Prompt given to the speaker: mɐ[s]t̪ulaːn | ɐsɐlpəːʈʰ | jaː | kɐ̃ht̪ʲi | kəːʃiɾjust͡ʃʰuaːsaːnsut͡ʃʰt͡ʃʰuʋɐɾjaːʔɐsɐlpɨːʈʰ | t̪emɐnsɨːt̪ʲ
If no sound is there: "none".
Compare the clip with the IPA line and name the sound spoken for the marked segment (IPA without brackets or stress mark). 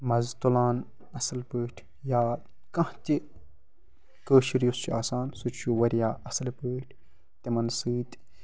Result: z